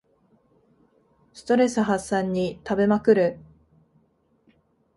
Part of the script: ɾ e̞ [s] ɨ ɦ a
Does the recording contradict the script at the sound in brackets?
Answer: no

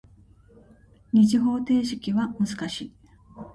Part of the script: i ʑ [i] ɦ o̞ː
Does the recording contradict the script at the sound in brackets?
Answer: no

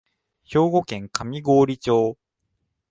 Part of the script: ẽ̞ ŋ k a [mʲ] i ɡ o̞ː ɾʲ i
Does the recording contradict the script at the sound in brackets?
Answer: no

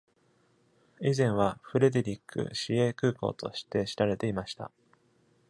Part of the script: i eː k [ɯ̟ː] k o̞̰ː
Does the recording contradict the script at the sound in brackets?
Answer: no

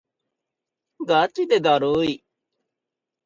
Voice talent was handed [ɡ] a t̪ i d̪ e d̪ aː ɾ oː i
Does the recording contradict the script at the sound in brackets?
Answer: no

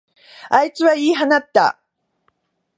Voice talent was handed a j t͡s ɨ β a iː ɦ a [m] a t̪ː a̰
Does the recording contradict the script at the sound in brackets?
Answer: yes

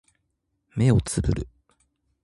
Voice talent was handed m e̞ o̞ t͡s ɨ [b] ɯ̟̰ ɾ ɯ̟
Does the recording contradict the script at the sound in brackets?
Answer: no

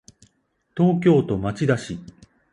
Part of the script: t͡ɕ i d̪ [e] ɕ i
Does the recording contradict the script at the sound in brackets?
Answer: yes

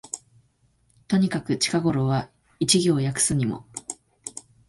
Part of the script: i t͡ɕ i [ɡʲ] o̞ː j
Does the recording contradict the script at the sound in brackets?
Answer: no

